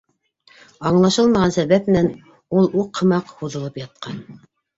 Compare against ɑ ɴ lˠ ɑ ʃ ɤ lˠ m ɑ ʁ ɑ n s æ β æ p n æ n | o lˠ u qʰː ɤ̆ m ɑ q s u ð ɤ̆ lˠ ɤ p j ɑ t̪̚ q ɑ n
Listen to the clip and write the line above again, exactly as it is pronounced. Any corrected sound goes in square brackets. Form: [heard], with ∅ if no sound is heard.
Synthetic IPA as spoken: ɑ ɴ lˠ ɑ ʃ ɤ lˠ m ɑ ʁ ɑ n s æ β æ p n æ n | [u] lˠ u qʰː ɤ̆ m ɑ q [h] u ð ɤ̆ lˠ ɤ p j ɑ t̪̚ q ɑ n